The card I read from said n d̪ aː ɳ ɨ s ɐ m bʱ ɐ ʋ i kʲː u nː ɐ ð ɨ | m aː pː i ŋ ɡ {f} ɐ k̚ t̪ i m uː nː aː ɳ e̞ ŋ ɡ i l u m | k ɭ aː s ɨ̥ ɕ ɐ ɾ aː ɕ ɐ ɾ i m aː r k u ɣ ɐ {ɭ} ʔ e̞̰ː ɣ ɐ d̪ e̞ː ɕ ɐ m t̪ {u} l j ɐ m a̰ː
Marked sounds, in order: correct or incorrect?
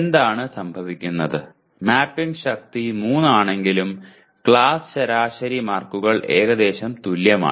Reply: incorrect: ɕ, correct, correct

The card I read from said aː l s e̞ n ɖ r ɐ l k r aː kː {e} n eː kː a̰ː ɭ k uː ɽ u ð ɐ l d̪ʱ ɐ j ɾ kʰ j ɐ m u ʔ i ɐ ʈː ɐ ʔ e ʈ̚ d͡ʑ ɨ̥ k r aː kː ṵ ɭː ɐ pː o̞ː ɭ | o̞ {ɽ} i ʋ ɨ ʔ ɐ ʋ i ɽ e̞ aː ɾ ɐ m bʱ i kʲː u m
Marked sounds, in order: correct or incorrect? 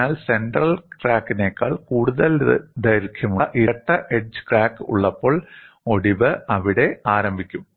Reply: incorrect: i, correct

